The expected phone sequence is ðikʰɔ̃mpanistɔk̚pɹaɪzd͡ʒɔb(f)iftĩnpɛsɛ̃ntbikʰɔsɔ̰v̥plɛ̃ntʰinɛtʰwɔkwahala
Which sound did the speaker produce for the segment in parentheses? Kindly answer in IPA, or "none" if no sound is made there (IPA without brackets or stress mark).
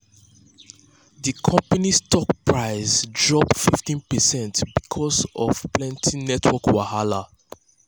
f